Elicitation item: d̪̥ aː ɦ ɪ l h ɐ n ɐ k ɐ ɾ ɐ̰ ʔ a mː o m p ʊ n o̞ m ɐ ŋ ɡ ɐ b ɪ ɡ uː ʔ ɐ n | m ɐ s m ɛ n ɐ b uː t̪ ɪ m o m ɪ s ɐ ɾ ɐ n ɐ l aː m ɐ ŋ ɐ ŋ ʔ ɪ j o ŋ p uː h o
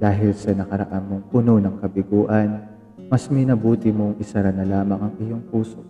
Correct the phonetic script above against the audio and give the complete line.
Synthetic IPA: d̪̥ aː ɦ ɪ l s ɐ n ɐ k ɐ ɾ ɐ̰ ʔ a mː o ŋ p ʊ n o̞ n ɐ ŋ k ɐ b ɪ ɡ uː ʔ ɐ n | m ɐ s m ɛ n ɐ b uː t̪ ɪ m o ŋ ɪ s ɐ ɾ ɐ n ɐ l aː m ɐ ŋ ɐ ŋ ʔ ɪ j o ŋ p uː s o